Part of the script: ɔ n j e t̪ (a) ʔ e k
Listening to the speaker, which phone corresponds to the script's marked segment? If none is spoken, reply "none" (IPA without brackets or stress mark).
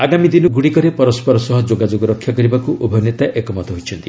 a